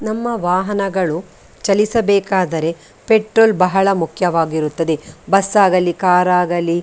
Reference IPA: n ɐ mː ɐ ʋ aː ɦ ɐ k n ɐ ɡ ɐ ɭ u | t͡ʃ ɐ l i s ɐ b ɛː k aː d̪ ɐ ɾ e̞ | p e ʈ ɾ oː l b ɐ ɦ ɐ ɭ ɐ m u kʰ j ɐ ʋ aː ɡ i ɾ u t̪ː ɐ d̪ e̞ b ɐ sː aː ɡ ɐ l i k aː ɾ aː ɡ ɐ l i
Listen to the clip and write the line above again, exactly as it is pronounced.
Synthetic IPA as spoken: n ɐ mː ɐ ʋ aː ɦ ɐ n ɐ ɡ ɐ ɭ u | t͡ʃ ɐ l i s ɐ b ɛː k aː d̪ ɐ ɾ e̞ | p e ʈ ɾ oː l b ɐ ɦ ɐ ɭ ɐ m u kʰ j ɐ ʋ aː ɡ i ɾ u t̪ː ɐ d̪ e̞ b ɐ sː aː ɡ ɐ l i k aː ɾ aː ɡ ɐ l i